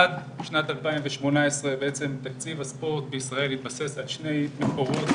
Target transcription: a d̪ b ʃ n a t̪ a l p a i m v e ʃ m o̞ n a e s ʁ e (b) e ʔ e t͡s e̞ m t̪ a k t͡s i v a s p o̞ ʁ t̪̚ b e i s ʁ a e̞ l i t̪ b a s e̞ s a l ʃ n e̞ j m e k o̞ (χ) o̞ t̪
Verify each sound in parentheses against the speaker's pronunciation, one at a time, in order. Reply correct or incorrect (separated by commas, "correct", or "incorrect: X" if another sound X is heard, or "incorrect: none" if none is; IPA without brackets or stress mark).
correct, incorrect: ʁ